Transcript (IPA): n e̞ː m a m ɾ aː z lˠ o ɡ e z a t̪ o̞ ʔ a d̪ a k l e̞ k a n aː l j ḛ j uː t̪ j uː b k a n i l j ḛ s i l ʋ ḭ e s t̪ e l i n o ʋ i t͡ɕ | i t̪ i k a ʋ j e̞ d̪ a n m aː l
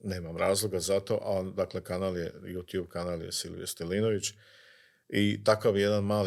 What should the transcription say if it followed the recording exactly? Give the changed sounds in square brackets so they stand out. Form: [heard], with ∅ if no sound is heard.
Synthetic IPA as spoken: n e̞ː m a m ɾ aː z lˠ o ɡ [a] z a t̪ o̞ ʔ a d̪ a k l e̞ k a n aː l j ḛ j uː t̪ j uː b k a n [a] l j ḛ s i l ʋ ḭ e s t̪ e l i n o ʋ i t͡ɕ | i t̪ [a] k a ʋ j e̞ d̪ a n m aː l